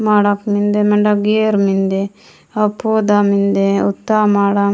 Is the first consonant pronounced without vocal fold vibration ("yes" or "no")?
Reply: no